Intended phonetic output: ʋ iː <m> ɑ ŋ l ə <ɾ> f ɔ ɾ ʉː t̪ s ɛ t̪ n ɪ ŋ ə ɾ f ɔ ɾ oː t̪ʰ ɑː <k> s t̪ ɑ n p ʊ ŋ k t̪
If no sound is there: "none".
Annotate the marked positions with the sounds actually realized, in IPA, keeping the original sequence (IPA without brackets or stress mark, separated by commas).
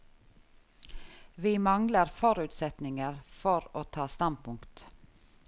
m, ɾ, none